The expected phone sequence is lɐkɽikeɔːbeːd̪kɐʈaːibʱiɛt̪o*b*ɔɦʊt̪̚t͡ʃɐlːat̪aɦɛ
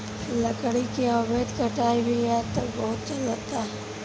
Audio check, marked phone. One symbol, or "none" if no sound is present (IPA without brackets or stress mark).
b